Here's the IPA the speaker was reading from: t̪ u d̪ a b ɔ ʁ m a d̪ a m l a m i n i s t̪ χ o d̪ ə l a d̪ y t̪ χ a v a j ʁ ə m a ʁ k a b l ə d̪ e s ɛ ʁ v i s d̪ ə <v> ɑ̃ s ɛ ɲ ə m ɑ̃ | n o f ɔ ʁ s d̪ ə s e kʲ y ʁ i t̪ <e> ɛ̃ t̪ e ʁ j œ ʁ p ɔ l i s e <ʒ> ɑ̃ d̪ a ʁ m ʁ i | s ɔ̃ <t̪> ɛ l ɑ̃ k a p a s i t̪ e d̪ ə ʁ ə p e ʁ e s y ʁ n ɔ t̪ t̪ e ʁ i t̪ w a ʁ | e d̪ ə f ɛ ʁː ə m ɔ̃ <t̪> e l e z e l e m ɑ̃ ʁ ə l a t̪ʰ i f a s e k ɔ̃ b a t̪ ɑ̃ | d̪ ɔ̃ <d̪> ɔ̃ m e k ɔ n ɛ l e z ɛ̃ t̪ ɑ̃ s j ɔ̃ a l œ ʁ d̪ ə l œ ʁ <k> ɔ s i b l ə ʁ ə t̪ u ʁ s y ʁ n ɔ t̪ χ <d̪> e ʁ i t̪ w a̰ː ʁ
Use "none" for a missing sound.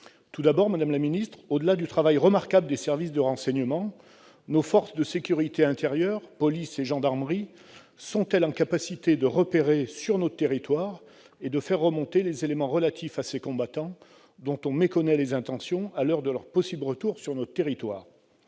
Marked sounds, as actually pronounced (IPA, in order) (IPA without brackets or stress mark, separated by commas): ʁ, e, ʒ, t̪, t̪, t̪, p, t̪